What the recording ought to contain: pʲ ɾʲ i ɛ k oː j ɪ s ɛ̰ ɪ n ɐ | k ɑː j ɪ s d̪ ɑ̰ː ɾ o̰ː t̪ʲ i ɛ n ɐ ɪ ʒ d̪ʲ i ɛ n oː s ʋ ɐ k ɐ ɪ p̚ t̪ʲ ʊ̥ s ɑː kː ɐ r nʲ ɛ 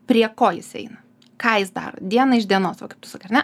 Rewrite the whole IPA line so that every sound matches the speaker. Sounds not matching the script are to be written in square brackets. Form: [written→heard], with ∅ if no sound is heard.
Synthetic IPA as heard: pʲ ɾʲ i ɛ k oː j ɪ s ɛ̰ ɪ n ɐ | k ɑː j ɪ s d̪ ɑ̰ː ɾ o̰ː [t̪ʲ→d̪ʲ] i ɛ n ɐ ɪ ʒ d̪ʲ i ɛ n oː s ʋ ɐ k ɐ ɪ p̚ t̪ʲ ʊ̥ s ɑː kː ɐ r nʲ ɛ